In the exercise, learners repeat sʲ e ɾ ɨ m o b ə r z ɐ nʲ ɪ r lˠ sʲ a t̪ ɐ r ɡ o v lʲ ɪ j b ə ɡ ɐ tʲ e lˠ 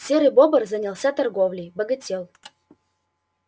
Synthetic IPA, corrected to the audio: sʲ e ɾ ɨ b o b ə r z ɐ nʲ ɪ lˠ sʲ a t̪ ɐ r ɡ o v lʲ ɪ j b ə ɡ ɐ tʲ e lˠ